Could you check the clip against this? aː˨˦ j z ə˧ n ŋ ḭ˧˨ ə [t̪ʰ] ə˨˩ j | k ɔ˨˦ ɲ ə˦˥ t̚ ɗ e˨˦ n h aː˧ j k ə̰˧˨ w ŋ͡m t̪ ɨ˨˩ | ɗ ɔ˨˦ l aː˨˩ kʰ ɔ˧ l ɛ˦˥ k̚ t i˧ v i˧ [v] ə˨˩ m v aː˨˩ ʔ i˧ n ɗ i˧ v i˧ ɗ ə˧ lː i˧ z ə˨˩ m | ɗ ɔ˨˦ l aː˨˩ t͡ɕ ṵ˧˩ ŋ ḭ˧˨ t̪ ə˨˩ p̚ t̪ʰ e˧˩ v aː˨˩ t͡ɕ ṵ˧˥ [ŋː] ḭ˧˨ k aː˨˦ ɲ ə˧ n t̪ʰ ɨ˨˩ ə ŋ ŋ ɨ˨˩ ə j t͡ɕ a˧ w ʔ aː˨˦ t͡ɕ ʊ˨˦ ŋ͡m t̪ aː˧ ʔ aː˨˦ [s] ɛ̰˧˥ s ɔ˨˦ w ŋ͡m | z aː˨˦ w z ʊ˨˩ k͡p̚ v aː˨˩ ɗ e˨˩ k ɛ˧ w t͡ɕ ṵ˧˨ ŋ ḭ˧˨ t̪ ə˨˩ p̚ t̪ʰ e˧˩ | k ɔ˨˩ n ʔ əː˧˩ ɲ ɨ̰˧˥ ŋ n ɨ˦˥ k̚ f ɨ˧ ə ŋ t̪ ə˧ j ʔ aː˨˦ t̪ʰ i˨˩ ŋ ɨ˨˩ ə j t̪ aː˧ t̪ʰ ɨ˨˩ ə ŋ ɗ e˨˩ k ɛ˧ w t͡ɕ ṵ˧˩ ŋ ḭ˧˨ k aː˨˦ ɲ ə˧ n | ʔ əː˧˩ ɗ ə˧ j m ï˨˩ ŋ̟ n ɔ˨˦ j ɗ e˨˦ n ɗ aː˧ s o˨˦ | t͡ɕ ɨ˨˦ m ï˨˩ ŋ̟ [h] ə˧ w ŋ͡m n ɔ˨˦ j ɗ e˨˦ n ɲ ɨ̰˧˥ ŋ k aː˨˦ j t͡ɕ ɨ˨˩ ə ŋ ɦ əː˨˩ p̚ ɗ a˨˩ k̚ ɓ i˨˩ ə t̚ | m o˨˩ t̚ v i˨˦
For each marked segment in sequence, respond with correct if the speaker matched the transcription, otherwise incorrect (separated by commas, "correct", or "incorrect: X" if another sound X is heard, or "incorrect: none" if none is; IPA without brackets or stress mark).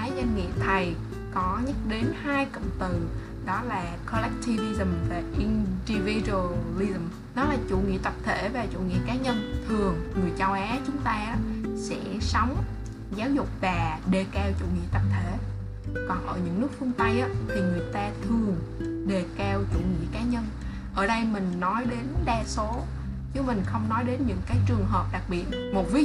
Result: correct, incorrect: z, incorrect: ŋ, correct, incorrect: x